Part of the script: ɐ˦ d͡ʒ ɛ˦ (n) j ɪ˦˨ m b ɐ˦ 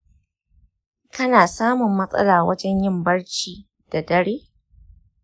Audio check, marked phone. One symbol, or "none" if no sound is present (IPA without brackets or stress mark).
ɲ